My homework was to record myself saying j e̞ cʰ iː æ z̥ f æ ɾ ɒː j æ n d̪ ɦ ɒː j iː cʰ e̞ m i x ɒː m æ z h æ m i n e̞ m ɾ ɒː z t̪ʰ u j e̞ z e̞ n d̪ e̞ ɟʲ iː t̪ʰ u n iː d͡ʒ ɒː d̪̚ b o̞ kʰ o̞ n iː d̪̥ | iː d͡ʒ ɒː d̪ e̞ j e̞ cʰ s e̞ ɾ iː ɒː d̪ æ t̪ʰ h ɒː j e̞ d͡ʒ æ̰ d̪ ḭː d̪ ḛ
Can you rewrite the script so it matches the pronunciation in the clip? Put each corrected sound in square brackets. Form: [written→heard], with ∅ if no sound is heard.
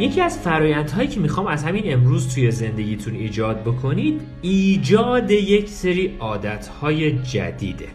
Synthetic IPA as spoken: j e̞ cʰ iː æ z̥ f æ ɾ ɒː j æ n d̪ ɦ ɒː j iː cʰ e̞ m i x ɒː m æ z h æ m i n e̞ m ɾ [ɒː→uː] z t̪ʰ u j e̞ z e̞ n d̪ e̞ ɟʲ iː t̪ʰ u n iː d͡ʒ ɒː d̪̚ b o̞ kʰ o̞ n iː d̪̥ | iː d͡ʒ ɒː d̪ e̞ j e̞ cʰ s e̞ ɾ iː ɒː d̪ æ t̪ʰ h ɒː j e̞ d͡ʒ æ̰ d̪ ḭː d̪ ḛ